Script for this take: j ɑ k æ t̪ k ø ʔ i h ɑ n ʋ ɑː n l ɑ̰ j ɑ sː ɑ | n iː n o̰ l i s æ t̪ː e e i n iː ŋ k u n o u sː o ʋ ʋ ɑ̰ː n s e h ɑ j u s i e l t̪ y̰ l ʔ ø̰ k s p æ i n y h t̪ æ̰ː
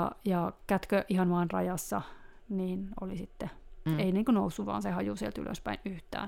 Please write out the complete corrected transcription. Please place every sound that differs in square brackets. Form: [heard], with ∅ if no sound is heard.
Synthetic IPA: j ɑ k æ t̪ k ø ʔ i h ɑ n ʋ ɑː n [r] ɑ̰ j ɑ sː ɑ | n iː n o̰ l i s [i] t̪ː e e i n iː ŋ k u n o u sː [u] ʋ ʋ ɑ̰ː n s e h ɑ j u s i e l t̪ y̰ l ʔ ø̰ [∅] s p æ i n y h t̪ æ̰ː